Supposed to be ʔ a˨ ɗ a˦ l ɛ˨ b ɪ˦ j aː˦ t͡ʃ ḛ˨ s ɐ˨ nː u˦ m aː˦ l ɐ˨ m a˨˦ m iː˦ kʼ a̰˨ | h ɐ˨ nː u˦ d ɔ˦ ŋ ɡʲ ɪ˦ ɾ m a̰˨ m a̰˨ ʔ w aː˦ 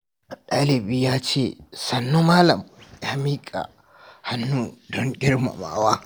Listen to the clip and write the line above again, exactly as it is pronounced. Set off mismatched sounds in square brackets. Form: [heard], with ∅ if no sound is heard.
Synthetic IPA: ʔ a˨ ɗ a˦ l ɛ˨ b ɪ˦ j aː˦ t͡ʃ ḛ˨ s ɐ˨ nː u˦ m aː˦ l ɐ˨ m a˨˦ m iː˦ kʼ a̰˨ | h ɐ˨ nː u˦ d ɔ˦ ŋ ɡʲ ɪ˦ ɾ m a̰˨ m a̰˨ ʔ w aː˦